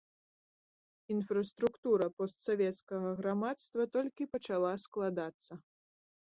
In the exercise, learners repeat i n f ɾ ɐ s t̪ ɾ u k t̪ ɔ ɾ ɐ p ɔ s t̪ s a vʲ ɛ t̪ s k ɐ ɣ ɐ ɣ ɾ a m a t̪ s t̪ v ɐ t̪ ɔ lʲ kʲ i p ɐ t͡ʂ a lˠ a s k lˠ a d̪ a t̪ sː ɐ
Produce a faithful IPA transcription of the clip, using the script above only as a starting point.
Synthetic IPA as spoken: i n f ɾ ɐ s t̪ ɾ u k t̪ u ɾ ɐ p ɔ s t̪ s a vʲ ɛ t̪ s k ɐ ɣ ɐ ɣ ɾ a m a t̪ s t̪ v ɐ t̪ ɔ lʲ kʲ i p ɐ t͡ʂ a lˠ a s k lˠ a d̪ a t̪ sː ɐ